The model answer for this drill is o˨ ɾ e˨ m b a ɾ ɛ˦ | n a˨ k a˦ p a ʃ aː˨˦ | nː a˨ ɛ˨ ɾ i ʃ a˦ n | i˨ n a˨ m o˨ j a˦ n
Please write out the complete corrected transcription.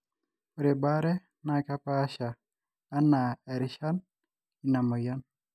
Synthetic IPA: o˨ ɾ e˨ b a ɾ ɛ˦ | n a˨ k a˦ p a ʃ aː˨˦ | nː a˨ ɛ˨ ɾ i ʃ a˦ n | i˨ n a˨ m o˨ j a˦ n